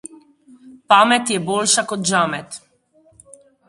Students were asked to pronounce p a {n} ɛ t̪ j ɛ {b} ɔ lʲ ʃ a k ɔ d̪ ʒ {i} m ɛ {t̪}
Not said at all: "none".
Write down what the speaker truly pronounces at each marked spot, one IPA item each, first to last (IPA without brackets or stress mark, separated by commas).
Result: m, b, a, t̪